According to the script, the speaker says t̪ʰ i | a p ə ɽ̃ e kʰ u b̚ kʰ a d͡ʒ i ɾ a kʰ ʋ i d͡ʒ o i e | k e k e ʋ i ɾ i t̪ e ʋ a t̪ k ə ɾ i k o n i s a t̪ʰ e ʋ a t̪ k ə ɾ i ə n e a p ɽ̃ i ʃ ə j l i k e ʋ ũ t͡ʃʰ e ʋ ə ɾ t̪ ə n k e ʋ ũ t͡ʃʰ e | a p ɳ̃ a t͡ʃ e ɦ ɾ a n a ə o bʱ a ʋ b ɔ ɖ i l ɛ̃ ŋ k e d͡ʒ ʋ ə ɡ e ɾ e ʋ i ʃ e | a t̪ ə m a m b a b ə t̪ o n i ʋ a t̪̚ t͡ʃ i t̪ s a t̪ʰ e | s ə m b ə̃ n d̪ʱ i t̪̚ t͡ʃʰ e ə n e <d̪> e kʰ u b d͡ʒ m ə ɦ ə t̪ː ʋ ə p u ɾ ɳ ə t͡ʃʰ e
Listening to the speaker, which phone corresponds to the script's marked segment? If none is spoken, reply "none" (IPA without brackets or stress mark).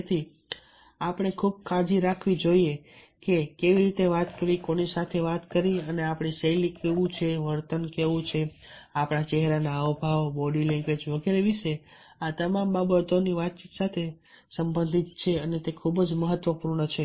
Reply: t̪